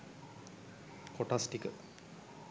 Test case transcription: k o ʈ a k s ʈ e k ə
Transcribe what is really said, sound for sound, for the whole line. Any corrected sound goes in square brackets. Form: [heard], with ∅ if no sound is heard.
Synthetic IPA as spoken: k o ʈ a [∅] s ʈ [i] k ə